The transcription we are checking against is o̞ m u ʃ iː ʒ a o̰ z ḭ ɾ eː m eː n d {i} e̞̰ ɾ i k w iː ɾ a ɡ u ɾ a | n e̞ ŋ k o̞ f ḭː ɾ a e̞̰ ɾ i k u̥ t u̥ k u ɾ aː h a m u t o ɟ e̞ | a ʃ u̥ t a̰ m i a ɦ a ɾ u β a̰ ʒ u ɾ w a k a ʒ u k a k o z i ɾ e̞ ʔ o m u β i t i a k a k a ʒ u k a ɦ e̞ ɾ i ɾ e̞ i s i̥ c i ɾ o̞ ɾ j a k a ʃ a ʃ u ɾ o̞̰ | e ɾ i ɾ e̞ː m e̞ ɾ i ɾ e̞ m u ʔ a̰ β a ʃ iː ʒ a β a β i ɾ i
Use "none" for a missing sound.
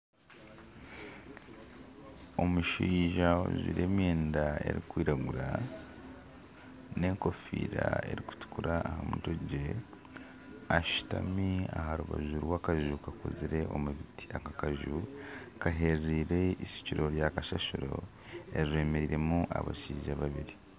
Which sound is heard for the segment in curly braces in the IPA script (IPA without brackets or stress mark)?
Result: a